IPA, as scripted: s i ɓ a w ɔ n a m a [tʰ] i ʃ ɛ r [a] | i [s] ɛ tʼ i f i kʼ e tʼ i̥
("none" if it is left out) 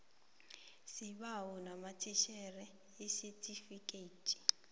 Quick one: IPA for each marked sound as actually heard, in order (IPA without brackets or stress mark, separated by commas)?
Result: tʰ, ɛ, s